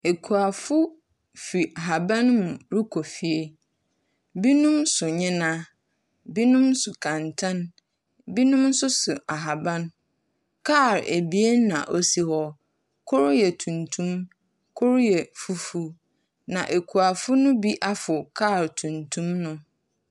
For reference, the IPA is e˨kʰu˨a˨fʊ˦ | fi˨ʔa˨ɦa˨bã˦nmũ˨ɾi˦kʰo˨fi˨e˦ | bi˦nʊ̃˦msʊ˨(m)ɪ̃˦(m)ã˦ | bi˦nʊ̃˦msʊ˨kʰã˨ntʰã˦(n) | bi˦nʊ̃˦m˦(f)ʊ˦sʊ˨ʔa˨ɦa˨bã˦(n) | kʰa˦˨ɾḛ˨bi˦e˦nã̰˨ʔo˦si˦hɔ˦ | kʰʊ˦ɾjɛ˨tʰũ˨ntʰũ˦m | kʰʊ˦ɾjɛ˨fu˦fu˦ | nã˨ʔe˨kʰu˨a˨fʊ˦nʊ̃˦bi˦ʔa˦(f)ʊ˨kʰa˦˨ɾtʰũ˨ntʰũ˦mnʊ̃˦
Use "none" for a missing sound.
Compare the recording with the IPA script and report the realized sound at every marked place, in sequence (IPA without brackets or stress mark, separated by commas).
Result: ɲ, n, n, s, n, f